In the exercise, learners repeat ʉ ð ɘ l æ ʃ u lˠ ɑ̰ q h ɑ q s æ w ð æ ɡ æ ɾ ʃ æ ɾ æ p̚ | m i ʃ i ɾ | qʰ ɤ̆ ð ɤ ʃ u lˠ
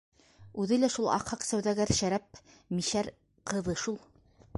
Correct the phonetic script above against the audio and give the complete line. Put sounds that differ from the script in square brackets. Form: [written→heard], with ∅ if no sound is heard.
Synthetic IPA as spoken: ʉ ð ɘ l æ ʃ u lˠ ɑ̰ q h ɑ q s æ w ð æ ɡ æ ɾ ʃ æ ɾ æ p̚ | m i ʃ [i→æ] ɾ | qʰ ɤ̆ ð ɤ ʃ u lˠ